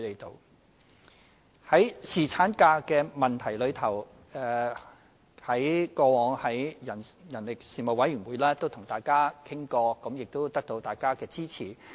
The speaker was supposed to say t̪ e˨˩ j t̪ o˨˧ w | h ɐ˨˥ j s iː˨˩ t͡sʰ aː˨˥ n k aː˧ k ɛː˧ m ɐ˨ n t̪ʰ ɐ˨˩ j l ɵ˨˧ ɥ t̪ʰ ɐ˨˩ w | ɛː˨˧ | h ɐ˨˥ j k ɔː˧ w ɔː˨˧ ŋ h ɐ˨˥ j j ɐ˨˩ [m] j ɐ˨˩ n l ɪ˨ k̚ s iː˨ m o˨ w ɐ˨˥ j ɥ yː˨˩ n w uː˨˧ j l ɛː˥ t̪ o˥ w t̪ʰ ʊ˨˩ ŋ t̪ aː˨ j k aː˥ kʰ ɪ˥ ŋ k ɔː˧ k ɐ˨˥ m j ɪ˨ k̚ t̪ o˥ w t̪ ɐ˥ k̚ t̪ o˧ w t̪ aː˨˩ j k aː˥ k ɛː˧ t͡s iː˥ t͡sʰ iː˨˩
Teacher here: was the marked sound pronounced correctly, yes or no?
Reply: no